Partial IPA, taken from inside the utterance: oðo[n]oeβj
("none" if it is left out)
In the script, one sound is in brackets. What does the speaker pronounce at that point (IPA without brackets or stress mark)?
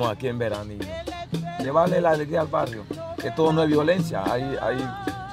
n